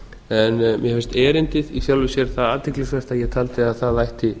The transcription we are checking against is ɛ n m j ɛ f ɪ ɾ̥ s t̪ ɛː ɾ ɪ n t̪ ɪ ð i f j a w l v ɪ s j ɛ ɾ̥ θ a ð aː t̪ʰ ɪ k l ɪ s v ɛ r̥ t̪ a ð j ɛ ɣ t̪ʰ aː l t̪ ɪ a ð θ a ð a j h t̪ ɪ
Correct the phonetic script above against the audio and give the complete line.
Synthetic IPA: ɛ n m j ɛ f ɪ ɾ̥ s t̪ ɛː ɾ ɪ n t̪ ɪ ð i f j a w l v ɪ s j ɛ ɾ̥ θ a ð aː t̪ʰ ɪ k l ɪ s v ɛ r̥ t̪ a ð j ɛ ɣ t̪ʰ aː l t̪ ɪ a ð θ a ð a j h t̪ ɪ